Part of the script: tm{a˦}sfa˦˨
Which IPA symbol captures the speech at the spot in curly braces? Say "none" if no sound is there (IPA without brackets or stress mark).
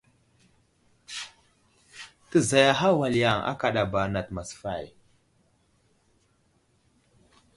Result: a˨